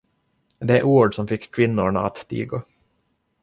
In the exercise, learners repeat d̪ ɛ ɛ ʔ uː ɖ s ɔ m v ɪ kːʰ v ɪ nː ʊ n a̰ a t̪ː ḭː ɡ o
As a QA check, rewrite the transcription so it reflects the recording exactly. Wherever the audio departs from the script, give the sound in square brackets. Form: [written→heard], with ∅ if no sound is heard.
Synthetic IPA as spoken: d̪ ɛ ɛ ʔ uː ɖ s ɔ m [v→f] ɪ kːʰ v ɪ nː ʊ [n→ɳ] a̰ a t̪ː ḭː ɡ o

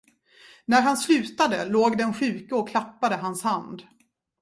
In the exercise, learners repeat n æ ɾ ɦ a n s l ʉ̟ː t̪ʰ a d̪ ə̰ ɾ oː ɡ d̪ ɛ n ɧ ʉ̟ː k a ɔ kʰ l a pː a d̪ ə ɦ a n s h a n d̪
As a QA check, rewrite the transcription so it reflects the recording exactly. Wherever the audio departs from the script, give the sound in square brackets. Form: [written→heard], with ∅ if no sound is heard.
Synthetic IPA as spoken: n æ ɾ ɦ a n s l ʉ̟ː [t̪ʰ→t̪] a d̪ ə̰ [ɾ→l] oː ɡ d̪ ɛ n ɧ ʉ̟ː k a ɔ kʰ l a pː a d̪ ə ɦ a n s h a n d̪

